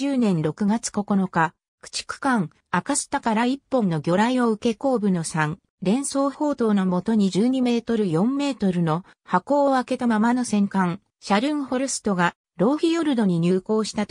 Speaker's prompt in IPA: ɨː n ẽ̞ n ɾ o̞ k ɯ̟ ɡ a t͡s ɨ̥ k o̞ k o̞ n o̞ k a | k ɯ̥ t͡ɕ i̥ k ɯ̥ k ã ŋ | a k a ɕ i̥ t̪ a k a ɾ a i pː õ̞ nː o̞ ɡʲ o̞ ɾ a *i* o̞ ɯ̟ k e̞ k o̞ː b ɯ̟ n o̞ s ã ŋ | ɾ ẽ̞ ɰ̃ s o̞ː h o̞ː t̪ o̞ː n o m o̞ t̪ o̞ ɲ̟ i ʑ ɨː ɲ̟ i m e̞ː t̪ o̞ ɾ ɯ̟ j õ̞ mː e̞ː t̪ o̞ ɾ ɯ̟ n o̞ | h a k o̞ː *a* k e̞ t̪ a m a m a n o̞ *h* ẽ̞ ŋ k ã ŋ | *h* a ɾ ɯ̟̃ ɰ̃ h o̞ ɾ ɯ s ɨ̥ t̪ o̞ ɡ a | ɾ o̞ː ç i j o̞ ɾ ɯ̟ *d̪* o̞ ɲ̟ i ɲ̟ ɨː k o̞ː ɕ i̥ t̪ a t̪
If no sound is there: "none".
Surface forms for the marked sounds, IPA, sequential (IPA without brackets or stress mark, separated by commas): i, a, s, ɕ, d̪